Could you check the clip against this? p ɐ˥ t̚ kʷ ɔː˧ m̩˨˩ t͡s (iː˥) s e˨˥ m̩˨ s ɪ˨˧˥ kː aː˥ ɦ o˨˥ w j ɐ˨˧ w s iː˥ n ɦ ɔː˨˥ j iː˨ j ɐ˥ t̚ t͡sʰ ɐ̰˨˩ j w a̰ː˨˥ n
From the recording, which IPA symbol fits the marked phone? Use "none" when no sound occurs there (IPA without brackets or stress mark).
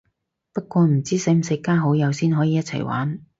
iː˥